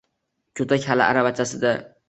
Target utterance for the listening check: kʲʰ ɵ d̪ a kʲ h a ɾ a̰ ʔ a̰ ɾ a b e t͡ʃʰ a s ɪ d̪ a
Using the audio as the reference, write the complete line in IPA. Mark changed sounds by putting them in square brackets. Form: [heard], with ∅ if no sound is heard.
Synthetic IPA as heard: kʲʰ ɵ [t̪] a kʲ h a [l] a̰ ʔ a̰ ɾ a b [a] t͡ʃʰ a s ɪ d̪ a